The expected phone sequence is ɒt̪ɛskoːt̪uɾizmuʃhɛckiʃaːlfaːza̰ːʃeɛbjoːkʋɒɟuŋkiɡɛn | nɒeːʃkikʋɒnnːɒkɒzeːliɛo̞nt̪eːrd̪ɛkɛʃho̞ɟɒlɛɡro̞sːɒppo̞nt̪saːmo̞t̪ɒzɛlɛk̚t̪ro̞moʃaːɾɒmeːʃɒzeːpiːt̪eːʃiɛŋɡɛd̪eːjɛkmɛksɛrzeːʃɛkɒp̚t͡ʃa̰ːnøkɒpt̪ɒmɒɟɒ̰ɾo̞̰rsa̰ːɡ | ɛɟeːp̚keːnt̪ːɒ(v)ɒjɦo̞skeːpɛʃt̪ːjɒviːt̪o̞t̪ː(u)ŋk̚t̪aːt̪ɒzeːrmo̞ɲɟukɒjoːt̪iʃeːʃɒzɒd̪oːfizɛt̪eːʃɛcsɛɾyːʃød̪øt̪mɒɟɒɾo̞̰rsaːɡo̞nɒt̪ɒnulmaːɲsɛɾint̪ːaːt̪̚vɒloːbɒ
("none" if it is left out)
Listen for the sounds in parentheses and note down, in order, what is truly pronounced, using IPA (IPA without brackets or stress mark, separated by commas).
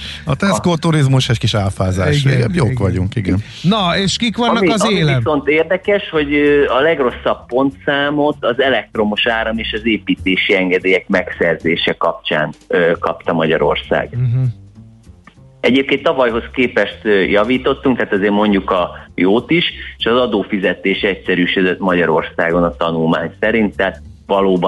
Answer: v, u